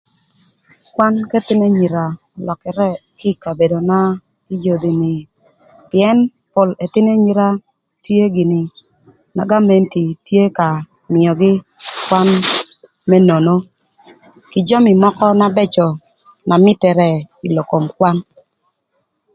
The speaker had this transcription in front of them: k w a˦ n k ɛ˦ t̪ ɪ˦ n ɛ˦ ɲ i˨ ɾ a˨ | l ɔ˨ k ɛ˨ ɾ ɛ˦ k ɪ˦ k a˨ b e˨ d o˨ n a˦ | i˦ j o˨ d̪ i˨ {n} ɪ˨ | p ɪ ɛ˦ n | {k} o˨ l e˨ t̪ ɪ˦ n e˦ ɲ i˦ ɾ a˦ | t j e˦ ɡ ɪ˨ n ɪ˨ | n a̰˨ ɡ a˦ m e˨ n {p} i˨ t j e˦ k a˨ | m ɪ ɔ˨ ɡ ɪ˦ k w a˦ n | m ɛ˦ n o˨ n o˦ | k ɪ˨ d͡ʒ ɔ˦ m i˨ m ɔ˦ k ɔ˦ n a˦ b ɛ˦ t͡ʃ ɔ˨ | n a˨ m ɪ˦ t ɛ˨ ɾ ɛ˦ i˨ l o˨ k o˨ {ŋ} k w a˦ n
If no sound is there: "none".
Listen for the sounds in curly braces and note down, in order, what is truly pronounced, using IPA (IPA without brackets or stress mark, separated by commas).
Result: n, p, t, m